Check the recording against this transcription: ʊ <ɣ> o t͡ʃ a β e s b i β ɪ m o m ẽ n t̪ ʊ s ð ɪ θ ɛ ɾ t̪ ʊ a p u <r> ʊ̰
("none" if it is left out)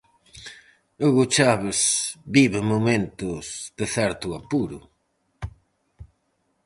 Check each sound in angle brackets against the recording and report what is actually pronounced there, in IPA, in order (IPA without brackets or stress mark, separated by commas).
ɣ, ɾ